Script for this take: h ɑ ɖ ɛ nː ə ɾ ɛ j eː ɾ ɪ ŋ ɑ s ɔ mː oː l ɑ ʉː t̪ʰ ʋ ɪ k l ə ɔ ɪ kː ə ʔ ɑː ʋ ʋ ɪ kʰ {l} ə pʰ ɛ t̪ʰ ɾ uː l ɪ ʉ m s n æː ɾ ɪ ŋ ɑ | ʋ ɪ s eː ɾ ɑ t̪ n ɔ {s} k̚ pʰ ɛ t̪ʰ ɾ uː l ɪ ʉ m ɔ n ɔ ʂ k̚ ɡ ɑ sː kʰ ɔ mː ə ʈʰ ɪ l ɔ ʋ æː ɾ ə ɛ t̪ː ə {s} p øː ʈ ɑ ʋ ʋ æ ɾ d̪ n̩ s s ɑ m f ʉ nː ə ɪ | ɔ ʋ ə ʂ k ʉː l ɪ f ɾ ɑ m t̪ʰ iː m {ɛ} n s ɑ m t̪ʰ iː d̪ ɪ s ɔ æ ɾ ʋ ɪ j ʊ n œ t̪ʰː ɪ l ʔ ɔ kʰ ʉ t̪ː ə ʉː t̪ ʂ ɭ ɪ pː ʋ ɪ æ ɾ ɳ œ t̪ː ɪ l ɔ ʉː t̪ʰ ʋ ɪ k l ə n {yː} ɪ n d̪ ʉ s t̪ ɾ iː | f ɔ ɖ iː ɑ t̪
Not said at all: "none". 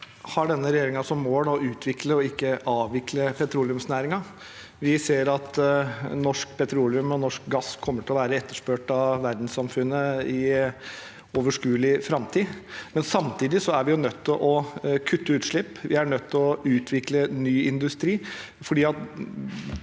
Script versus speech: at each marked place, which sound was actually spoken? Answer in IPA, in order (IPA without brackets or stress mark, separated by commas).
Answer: l, ʂ, ʂ, ɛ, yː